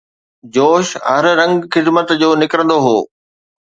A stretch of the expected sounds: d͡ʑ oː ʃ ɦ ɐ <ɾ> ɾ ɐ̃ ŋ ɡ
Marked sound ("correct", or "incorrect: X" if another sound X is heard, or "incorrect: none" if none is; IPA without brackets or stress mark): correct